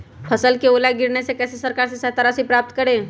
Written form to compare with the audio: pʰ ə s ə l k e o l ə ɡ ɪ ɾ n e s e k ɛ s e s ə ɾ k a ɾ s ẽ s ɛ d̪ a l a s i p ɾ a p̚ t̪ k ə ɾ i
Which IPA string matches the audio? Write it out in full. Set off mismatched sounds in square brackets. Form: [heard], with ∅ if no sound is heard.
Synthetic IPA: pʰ ə s ə l k e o l [a] ɡ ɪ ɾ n e s e k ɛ s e s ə ɾ k a ɾ s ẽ s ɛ [t̪] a [ɾ] a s i p ɾ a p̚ t̪ k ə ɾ [e]

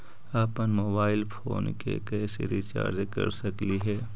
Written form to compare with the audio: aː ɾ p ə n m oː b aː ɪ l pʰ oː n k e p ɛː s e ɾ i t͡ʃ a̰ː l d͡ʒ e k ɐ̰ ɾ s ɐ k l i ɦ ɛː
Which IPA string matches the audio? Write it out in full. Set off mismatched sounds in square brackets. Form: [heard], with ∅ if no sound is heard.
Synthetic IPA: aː [∅] p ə n m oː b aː ɪ l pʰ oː n k e [k] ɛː s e ɾ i t͡ʃ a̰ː [ɾ] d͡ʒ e k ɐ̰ ɾ s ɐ k l i ɦ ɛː

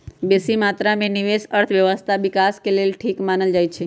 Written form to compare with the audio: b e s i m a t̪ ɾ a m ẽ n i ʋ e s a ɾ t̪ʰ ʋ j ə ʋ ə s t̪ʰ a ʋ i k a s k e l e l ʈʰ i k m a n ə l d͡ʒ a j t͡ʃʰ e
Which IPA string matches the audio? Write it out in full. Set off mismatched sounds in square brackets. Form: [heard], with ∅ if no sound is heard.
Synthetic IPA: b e s i m a t̪ ɾ a m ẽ n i ʋ e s [ə] ɾ t̪ʰ ʋ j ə ʋ ə s t̪ʰ a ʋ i k a s k e l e l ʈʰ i k m a n ə l d͡ʒ a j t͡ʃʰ e

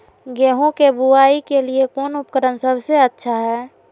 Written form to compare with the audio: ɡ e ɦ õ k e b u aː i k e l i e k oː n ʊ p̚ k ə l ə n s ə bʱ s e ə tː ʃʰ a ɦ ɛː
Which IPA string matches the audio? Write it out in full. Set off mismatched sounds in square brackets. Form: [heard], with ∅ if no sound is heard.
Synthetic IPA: ɡ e ɦ õ k e b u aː i k e l i e k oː n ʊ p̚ k ə [ɾ] ə n s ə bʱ s e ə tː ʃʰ a ɦ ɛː

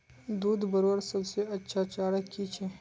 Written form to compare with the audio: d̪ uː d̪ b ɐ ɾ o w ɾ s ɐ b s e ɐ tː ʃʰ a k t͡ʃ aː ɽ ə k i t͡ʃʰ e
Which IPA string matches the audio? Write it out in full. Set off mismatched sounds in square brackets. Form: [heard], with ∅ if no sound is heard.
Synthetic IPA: d̪ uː d̪ b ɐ ɾ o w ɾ s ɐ b s e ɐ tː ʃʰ a [∅] t͡ʃ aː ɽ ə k i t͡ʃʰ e

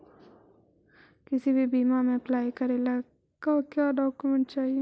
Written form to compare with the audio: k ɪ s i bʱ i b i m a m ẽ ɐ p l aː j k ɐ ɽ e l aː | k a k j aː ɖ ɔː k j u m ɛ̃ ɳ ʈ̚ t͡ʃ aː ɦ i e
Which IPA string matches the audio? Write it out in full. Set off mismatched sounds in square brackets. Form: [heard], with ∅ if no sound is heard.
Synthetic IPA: k ɪ s i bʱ i b [iː] m a m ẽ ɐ p l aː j k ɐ [ɾ] e l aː | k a k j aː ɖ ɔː k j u m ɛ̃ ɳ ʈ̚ t͡ʃ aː ɦ i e

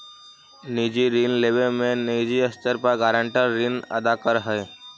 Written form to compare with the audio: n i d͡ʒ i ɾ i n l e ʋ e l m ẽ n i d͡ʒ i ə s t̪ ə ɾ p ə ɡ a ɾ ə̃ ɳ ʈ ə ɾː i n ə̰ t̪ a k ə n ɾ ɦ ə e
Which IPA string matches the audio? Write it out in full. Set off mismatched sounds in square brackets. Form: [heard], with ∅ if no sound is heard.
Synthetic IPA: n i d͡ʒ i ɾ i n l e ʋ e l m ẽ n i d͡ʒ i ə s t̪ ə ɾ p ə ɡ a ɾ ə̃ ɳ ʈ ə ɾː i n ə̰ [d̪] a k ə [∅] ɾ ɦ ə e

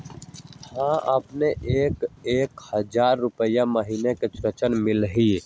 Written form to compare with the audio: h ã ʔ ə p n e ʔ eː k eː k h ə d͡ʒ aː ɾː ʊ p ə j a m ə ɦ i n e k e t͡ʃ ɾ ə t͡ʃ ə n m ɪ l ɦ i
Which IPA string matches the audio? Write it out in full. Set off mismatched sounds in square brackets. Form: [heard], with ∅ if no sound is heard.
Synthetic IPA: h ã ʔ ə p n e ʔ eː k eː k h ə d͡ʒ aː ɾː ʊ p ə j a m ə ɦ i n e k e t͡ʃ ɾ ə t͡ʃ ə n m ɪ l ɦ i

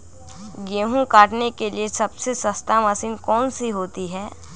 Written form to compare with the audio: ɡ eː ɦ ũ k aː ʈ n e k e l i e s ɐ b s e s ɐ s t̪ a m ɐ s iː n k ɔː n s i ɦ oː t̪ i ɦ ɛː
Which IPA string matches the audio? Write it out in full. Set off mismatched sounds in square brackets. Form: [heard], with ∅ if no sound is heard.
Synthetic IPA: ɡ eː ɦ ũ k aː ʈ n e k e l i e s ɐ b s e s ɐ s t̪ a m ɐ s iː n k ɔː n s i ɦ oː t̪ i ɦ ɛː

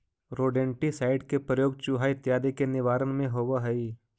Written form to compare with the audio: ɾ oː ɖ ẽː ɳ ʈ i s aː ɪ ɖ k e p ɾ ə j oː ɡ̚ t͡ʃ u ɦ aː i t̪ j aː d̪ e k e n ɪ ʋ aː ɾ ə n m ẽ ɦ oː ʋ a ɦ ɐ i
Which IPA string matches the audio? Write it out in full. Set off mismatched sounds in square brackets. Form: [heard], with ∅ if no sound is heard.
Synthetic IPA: ɾ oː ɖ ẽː ɳ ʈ i s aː ɪ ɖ k e p ɾ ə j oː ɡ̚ t͡ʃ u ɦ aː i t̪ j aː d̪ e k e n ɪ ʋ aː ɾ ə n m ẽ ɦ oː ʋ a ɦ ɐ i

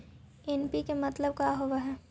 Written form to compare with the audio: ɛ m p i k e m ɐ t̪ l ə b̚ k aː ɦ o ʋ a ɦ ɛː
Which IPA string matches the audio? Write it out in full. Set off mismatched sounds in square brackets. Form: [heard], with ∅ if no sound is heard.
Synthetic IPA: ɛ [n] p i k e m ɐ t̪ l ə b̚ k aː ɦ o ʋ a ɦ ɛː

